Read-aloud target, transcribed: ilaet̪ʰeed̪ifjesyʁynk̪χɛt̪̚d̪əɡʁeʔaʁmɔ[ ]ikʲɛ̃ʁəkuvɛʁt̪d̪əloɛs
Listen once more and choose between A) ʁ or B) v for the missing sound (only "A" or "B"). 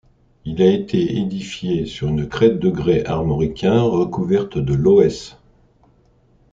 A